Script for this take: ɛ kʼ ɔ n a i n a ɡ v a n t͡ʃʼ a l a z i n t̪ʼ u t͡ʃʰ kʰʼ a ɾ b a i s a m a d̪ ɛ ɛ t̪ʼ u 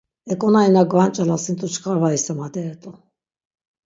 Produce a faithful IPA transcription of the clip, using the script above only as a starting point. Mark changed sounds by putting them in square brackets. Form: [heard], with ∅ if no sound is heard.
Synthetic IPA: ɛ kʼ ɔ n a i n a ɡ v a n t͡ʃʼ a l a [s] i n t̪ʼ u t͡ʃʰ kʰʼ a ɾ [v] a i s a m a d̪ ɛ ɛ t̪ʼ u